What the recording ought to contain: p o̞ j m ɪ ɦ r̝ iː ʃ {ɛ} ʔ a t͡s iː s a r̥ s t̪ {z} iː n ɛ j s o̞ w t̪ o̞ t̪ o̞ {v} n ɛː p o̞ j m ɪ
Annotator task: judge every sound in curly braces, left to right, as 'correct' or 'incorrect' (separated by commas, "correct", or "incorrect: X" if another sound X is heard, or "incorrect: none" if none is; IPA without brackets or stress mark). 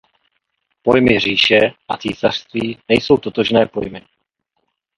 correct, incorrect: v, incorrect: ʒ